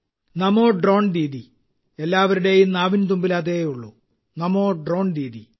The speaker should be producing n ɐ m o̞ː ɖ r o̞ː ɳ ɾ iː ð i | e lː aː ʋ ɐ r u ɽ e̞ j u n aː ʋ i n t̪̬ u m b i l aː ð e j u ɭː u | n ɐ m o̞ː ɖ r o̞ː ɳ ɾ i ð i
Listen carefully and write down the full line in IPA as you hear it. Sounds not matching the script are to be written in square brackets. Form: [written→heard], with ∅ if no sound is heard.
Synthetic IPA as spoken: n ɐ m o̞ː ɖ r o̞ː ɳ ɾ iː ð i | e lː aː ʋ ɐ [r→ɾ] u ɽ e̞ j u n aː ʋ i n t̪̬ u m b i l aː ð e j u ɭː u | n ɐ m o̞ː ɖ r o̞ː ɳ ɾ [i→iː] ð i